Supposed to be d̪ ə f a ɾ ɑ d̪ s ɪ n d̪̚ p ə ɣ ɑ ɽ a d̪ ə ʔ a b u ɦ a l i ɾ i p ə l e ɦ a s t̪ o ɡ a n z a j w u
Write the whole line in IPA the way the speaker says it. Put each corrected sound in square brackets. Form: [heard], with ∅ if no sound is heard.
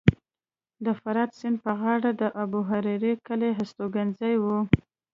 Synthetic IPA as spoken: d̪ ə f a ɾ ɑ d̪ s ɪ n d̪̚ p ə ɣ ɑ ɽ a d̪ ə ʔ a b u ɦ a [ɾ] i ɾ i [k] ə l e ɦ a s t̪ o ɡ a n z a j w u